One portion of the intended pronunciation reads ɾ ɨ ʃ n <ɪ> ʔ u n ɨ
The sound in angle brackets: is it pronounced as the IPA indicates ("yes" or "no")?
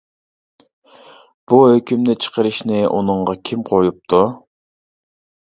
yes